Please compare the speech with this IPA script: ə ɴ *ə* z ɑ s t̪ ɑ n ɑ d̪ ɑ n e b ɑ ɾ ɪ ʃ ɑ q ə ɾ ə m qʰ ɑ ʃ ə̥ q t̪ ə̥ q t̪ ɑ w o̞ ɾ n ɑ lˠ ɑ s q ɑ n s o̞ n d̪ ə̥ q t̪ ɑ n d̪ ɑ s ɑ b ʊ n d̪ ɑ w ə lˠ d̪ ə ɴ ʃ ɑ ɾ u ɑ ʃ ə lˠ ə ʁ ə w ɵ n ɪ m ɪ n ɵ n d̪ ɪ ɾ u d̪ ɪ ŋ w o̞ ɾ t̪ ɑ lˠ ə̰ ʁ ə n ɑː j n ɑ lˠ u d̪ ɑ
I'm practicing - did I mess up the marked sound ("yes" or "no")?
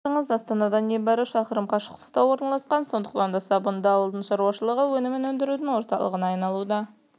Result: no